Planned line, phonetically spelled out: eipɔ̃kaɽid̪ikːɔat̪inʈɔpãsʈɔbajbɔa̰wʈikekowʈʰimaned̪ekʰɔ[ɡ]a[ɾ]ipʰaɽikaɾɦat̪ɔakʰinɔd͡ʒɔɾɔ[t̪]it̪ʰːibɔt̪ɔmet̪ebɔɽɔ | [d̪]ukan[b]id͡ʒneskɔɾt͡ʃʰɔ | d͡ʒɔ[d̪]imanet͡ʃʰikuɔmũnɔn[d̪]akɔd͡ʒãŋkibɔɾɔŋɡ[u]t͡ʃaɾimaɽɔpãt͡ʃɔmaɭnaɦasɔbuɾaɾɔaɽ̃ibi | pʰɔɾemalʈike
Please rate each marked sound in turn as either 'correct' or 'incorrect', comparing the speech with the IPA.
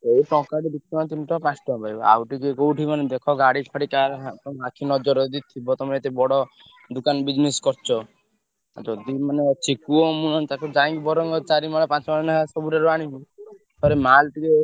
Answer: correct, incorrect, incorrect, correct, correct, correct, incorrect, incorrect

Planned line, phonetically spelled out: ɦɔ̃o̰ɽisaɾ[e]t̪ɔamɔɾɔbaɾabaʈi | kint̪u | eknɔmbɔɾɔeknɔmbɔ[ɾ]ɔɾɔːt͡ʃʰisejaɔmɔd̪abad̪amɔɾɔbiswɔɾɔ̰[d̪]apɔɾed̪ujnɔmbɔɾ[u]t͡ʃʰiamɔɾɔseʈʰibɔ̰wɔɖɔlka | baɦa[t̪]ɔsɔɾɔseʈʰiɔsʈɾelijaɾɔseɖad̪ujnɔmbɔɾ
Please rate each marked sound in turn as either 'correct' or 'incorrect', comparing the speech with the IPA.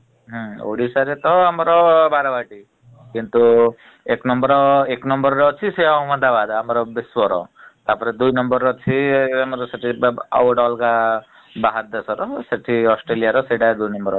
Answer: correct, correct, incorrect, incorrect, incorrect

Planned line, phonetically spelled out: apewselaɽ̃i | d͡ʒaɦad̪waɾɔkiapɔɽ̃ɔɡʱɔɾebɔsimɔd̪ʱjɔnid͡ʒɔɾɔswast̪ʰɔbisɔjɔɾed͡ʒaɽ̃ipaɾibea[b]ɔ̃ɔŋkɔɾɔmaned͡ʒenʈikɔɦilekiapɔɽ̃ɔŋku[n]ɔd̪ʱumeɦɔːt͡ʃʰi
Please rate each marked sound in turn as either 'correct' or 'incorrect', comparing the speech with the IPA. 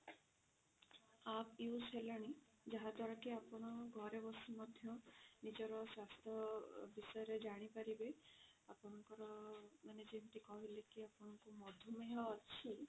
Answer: incorrect, incorrect

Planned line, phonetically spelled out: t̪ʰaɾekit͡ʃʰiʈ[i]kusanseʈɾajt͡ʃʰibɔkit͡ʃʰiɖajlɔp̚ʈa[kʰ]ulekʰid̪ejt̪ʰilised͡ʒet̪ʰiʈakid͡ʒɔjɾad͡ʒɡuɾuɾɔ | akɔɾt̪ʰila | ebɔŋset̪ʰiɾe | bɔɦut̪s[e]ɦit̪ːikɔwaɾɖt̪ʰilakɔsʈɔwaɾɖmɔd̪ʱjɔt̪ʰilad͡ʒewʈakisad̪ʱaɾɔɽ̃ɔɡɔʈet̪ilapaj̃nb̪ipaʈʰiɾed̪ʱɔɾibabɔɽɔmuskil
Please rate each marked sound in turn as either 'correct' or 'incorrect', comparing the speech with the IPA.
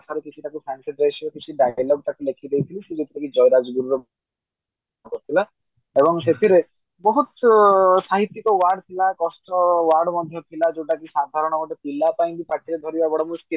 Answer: incorrect, incorrect, incorrect

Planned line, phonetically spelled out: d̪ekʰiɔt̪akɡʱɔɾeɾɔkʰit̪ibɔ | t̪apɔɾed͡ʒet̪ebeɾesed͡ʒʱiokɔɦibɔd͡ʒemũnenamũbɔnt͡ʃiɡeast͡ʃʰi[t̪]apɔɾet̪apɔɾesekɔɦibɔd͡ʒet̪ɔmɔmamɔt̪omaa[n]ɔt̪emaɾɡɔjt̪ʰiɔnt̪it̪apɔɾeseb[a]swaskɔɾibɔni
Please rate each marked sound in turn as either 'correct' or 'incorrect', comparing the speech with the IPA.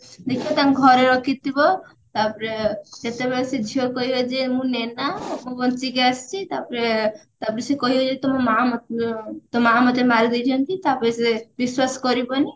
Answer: correct, incorrect, incorrect

